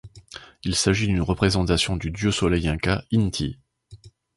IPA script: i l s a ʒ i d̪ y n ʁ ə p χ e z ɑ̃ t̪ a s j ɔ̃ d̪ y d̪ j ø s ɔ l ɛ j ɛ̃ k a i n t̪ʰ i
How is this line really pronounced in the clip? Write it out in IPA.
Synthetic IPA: i l s a ʒ i d̪ y n ʁ ə p χ e z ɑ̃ t̪ a s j ɔ̃ d̪ y d̪ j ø s ɔ l ɛ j ɛ̃ k a i n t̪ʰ i